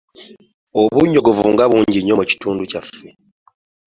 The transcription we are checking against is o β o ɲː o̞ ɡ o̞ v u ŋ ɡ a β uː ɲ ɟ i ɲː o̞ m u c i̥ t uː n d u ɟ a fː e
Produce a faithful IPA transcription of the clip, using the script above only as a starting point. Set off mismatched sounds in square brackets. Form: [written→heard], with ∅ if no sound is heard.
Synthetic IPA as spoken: o β [o→u] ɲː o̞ ɡ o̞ v u ŋ ɡ a β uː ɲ ɟ i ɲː o̞ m u c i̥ t uː n d u [ɟ→c] a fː e